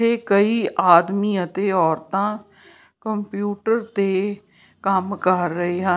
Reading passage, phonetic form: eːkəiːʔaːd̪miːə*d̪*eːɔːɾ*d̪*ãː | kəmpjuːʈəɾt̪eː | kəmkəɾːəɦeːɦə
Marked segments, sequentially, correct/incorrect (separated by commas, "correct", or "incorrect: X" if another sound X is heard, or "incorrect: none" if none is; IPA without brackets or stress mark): incorrect: t̪, incorrect: t̪